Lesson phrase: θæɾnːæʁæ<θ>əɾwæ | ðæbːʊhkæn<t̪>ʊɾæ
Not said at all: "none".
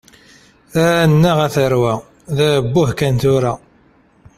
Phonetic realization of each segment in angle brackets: θ, t̪

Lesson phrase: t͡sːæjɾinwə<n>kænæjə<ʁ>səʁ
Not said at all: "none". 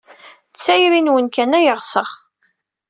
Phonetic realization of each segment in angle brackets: n, ʁ

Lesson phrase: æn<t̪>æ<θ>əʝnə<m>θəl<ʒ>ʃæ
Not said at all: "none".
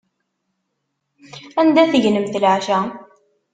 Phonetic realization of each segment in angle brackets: d̪, θ, m, ʕ

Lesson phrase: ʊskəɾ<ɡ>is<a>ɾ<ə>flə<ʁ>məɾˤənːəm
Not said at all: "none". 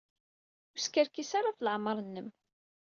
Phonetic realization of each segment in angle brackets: k, a, a, ʕ

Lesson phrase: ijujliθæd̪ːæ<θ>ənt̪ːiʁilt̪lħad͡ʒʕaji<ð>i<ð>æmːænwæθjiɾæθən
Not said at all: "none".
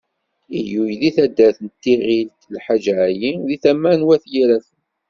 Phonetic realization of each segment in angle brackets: θ, ð, θ

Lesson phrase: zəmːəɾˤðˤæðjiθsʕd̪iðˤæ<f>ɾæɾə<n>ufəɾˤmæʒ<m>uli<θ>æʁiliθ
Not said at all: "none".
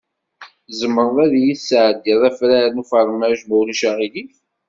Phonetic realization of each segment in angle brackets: f, n, m, ʃ

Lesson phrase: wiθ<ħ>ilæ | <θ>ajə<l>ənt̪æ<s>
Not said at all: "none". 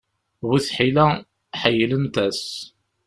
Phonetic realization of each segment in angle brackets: ħ, ħ, l, s

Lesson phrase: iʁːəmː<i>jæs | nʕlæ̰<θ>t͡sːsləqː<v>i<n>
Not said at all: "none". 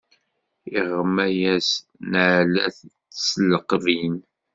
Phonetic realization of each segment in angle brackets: æ, θ, v, n

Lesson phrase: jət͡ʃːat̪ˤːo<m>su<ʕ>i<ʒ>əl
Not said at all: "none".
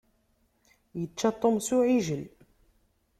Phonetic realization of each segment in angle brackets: m, ʕ, ʒ

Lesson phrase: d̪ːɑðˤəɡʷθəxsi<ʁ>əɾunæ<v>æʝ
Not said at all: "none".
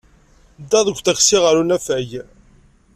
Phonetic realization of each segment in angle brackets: ʁ, f

